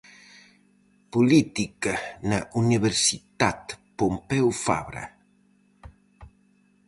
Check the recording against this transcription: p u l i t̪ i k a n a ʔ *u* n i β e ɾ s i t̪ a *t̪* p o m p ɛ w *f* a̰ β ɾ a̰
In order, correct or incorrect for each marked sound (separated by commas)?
correct, correct, correct